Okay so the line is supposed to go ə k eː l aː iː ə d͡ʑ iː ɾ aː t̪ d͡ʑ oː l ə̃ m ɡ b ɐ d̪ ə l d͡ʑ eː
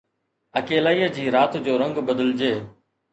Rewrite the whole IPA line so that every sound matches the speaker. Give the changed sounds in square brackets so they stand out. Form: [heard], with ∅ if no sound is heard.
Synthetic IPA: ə k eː l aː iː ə d͡ʑ iː ɾ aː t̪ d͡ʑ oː [ɾ] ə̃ [ŋ] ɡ b [ə] d̪ ə l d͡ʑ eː